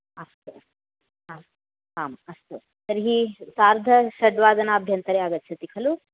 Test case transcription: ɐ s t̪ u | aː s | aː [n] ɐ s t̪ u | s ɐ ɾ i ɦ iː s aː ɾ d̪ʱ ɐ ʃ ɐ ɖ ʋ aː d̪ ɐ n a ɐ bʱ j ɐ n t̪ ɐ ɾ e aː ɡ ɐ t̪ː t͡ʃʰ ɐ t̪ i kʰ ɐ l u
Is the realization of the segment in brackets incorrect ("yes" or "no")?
yes